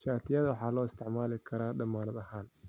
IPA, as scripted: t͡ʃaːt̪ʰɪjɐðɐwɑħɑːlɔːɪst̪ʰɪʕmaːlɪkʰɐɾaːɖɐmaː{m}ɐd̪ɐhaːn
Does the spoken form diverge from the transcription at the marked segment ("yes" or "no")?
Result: yes